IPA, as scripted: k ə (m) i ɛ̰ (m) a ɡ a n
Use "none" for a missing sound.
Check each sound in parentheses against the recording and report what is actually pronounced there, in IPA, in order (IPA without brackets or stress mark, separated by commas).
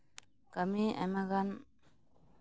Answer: m, m